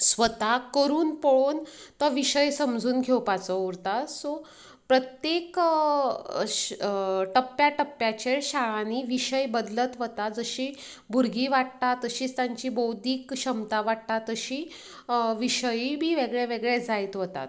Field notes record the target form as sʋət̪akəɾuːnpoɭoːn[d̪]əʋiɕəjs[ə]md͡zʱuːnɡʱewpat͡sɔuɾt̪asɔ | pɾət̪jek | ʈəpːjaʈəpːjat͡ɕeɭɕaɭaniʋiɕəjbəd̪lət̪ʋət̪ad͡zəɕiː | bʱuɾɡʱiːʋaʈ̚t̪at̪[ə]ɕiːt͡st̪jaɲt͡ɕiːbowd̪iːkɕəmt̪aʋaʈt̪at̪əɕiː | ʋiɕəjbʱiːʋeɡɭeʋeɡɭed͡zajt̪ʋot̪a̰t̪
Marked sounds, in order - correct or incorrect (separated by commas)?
incorrect, correct, correct